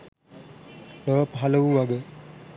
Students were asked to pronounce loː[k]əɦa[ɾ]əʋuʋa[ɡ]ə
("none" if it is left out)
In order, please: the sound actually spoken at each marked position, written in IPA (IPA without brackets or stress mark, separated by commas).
p, l, ɡ